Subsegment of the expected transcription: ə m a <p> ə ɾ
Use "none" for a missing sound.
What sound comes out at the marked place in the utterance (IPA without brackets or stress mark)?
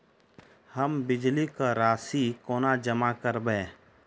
k